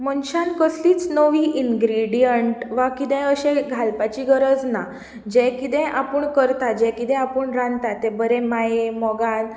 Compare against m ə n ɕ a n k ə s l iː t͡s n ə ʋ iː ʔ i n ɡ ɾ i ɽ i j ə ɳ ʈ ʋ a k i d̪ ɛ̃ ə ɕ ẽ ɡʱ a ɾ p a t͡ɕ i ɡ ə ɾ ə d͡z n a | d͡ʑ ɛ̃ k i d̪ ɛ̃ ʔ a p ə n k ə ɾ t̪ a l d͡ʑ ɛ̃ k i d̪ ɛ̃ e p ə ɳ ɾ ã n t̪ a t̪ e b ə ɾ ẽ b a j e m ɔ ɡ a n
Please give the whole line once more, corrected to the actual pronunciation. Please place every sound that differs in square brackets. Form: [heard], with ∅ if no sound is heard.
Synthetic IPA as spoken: m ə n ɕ a n k ə s l iː t͡s n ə ʋ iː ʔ i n ɡ ɾ i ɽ i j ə ɳ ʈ ʋ a k i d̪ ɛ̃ ə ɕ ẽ ɡʱ a [l] p a t͡ɕ i ɡ ə ɾ ə d͡z n a | d͡ʑ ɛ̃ k i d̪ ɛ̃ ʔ a p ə [ɳ] k ə ɾ t̪ a [∅] d͡ʑ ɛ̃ k i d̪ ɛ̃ [a] p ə ɳ ɾ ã n t̪ a t̪ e b ə ɾ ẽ [m] a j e m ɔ ɡ a n